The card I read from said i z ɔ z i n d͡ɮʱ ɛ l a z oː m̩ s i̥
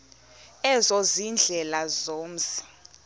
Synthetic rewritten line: ɛ z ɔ z i n d͡ɮʱ ɛ l a z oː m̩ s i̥